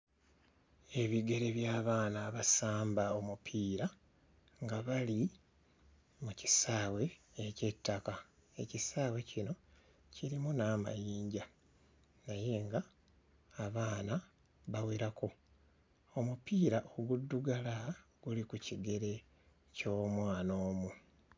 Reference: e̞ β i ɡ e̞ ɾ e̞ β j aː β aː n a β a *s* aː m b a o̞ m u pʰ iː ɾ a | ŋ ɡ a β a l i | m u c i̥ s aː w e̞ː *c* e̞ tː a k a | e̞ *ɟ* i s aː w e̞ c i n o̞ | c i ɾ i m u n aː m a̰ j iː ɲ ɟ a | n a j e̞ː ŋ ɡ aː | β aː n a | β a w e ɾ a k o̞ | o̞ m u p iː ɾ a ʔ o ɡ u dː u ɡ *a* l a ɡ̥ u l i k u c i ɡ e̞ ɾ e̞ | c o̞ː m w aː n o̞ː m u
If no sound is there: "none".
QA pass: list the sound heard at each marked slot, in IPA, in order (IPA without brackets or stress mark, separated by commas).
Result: s, c, c, a